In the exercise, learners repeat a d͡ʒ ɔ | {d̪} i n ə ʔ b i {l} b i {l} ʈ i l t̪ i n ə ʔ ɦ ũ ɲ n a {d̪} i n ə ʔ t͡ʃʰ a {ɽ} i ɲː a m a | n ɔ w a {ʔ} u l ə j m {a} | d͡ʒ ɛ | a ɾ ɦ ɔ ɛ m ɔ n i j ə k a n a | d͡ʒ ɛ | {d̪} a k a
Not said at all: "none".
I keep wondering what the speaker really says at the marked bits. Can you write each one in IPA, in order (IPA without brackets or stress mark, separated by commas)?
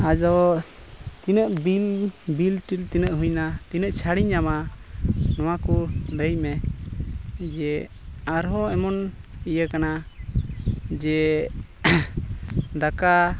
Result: t̪, l, l, t̪, ɽ, k, ɛ, d̪